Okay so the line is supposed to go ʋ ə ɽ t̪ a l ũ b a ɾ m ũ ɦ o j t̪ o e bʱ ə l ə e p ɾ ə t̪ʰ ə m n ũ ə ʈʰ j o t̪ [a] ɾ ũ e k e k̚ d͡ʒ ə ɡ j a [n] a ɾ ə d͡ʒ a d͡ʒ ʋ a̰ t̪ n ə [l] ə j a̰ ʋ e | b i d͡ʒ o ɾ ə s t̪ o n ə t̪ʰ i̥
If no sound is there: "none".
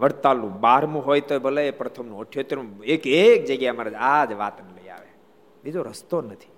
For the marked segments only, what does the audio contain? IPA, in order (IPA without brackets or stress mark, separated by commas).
e, m, l